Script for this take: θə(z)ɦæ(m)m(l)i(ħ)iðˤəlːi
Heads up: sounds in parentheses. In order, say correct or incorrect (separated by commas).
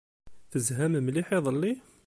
correct, correct, correct, correct